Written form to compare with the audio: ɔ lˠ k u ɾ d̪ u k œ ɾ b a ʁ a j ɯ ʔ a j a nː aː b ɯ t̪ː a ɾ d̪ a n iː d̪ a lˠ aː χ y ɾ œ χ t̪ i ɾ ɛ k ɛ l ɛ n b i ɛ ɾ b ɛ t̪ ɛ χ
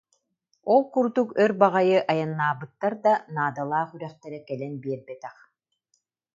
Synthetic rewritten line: ɔ lˠ k u ɾ d̪ u k œ ɾ b a ʁ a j ɯ ʔ a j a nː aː b ɯ t̪ː a ɾ d̪ a n aː d̪ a lˠ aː χ y ɾ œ χ t̪ ɛ ɾ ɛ k ɛ l ɛ n b i ɛ ɾ b ɛ t̪ ɛ χ